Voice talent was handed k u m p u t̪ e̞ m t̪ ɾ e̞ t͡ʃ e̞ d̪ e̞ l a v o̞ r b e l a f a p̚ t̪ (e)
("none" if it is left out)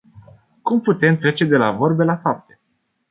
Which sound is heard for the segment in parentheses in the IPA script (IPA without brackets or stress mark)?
e